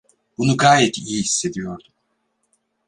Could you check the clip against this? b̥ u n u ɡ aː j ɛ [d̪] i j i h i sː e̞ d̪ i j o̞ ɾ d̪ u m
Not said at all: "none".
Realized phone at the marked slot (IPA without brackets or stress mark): t̪